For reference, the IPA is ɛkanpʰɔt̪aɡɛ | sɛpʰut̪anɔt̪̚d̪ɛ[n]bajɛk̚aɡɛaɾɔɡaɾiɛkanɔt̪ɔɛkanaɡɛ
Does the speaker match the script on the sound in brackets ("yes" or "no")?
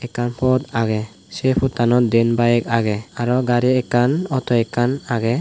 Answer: yes